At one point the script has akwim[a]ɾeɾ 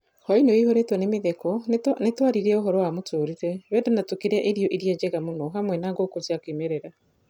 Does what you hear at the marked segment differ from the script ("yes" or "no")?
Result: yes